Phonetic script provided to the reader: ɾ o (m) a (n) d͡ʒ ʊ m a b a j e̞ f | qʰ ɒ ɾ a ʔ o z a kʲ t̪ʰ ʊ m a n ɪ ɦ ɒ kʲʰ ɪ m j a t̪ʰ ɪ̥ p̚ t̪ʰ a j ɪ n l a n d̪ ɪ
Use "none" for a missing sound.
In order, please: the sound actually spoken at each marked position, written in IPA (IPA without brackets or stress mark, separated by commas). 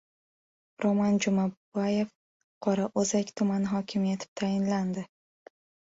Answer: m, n